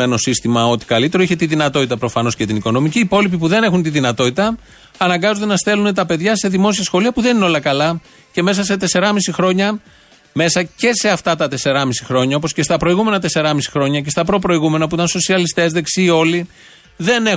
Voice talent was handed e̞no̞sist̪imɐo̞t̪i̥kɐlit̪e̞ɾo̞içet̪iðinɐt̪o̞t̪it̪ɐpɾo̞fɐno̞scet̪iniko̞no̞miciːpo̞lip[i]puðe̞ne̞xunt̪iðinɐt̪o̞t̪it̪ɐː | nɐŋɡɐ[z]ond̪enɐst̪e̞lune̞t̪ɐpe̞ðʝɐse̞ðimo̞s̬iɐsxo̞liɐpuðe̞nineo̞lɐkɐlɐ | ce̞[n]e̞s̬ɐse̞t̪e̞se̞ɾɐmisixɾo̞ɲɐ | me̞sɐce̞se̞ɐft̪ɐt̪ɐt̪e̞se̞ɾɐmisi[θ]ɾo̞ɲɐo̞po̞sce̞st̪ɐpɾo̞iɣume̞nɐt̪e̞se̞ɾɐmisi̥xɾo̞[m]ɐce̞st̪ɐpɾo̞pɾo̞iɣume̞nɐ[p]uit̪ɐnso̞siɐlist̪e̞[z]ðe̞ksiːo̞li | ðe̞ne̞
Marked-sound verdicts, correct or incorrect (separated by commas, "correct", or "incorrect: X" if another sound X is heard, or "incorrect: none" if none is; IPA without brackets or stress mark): correct, correct, incorrect: m, incorrect: x, incorrect: ɲ, correct, correct